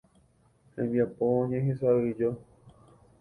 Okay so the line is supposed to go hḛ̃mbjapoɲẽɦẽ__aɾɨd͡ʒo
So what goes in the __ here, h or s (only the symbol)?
s